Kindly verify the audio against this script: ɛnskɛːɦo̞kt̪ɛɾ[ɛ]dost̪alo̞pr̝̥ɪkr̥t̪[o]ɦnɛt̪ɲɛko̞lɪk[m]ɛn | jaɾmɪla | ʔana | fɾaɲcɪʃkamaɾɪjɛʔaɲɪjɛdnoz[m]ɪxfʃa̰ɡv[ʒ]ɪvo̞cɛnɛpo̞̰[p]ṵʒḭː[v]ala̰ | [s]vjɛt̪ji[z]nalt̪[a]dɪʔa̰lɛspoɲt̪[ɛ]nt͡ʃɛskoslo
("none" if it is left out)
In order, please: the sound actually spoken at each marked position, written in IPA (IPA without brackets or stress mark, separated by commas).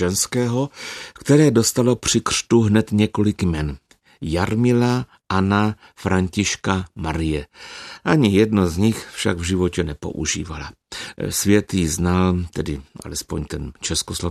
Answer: ɛː, u, m, ɲ, ʒ, ʔ, v, s, z, ɛ, ɛ